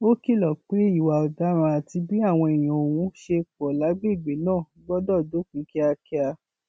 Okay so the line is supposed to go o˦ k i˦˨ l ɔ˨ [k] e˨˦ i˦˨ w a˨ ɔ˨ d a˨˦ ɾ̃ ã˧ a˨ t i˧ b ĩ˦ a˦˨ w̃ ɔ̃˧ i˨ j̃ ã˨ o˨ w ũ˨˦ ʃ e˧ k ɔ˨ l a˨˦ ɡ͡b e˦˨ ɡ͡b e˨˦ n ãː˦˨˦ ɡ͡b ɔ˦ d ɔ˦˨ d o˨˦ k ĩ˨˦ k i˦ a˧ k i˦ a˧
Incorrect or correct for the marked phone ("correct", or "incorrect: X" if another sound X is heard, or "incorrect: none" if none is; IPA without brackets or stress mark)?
incorrect: k͡p